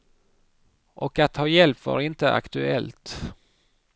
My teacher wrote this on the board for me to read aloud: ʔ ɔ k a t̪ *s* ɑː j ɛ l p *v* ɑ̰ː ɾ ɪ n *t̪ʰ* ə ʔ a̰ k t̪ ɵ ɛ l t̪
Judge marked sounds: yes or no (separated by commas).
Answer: no, yes, no